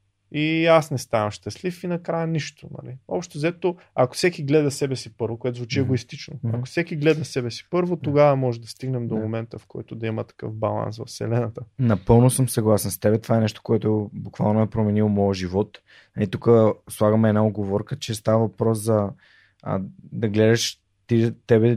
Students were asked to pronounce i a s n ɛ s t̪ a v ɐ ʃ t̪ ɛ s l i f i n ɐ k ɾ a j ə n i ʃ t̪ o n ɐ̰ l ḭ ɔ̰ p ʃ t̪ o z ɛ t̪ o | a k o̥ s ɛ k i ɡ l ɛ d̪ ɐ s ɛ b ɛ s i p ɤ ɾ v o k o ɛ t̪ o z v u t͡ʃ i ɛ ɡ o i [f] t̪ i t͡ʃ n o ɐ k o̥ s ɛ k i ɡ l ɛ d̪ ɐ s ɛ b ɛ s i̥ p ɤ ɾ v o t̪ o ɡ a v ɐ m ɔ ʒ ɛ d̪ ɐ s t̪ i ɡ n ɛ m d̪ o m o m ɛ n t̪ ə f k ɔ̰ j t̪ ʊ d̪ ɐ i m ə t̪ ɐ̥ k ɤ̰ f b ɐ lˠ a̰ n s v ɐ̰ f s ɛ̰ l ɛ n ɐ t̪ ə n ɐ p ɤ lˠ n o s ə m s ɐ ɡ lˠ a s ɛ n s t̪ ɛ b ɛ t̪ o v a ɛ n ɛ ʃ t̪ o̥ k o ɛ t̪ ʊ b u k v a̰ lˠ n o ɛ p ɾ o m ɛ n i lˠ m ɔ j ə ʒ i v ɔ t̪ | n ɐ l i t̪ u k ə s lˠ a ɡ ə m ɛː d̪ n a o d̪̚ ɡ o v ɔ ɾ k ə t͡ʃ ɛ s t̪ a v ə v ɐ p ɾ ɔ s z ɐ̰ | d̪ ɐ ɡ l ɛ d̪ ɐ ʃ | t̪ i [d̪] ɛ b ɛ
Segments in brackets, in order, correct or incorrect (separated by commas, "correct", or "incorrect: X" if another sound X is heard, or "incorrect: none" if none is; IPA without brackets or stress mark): incorrect: s, incorrect: t̪